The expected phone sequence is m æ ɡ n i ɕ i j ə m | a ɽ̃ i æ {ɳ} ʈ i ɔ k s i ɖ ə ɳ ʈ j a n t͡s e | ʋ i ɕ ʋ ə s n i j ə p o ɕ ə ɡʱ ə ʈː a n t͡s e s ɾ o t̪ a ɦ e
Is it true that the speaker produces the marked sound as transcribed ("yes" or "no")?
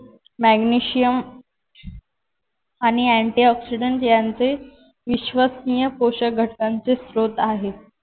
yes